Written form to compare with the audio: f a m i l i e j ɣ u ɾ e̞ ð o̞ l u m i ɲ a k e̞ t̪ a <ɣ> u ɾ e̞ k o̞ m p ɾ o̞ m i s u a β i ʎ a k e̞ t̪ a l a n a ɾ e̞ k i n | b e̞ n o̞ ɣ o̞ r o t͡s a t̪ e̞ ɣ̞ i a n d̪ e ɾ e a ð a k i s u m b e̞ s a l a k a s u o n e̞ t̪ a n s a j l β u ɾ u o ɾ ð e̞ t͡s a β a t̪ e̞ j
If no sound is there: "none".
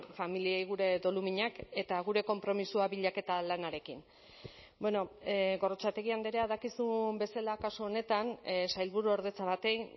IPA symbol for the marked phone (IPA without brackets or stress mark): ɣ